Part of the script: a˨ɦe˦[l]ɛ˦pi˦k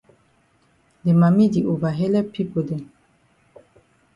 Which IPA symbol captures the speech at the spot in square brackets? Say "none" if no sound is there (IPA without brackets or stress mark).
l